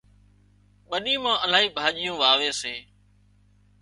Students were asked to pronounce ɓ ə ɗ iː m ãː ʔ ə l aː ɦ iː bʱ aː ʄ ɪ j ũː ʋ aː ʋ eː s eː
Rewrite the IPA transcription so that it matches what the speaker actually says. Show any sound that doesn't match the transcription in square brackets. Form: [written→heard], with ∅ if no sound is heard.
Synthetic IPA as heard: ɓ ə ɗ iː m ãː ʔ ə l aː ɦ iː bʱ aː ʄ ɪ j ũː ʋ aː ʋ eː s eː